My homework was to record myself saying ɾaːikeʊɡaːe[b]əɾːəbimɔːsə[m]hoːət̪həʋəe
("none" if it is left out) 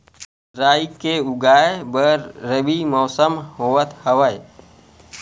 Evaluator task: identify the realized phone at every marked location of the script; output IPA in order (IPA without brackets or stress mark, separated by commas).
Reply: b, m